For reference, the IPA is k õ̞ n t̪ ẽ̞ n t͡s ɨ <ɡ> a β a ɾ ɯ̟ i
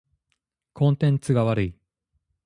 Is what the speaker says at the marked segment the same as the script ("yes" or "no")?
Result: yes